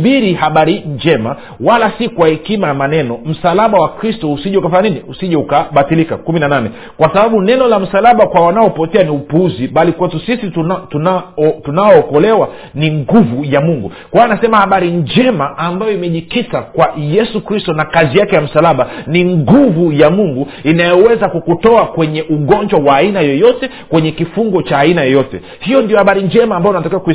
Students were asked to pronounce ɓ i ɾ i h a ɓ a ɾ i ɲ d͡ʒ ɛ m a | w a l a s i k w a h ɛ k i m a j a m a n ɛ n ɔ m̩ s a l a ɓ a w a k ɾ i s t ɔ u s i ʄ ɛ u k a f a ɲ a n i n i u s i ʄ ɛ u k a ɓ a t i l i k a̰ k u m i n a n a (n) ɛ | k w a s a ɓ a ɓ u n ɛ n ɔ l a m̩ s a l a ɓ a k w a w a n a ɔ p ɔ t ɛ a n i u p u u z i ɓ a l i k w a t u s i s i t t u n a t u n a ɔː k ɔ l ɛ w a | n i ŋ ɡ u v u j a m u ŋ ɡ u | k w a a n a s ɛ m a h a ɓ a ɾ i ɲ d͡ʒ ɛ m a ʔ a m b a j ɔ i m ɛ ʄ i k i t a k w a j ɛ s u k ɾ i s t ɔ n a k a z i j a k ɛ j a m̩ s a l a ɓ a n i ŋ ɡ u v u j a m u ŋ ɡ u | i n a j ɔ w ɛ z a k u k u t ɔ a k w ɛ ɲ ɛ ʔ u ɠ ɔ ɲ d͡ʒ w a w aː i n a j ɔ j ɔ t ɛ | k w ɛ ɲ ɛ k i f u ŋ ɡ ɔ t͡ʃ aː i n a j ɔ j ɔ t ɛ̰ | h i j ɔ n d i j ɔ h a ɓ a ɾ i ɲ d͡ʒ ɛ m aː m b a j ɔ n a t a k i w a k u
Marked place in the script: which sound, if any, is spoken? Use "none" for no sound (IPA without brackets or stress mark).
n